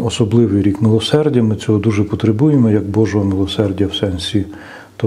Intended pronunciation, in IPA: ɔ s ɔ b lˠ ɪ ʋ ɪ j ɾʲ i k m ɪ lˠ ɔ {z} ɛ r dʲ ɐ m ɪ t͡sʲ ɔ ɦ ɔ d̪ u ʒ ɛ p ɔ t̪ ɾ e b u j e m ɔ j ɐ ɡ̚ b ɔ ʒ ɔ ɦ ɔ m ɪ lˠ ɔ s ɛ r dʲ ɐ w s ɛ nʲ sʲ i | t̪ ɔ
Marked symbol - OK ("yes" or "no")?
no